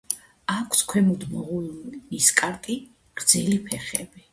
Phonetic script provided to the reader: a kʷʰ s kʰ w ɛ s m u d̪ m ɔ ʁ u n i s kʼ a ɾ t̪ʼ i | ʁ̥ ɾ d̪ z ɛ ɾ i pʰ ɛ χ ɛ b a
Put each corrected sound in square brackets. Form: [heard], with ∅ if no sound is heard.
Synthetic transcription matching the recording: a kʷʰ s kʰ w ɛ [∅] m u d̪ m ɔ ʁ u n i s kʼ a ɾ t̪ʼ i | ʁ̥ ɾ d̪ z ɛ [l] i pʰ ɛ χ ɛ b [i]